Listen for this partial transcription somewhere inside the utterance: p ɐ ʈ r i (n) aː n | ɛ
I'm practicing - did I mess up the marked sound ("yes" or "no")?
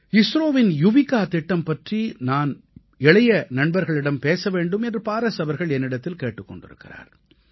no